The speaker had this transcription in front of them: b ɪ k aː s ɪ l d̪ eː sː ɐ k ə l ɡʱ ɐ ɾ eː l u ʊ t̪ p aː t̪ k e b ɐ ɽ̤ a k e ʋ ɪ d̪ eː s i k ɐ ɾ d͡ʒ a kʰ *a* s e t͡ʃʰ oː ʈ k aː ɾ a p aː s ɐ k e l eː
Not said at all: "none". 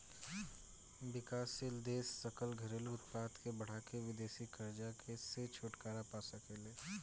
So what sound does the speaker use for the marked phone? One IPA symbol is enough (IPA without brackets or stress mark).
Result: e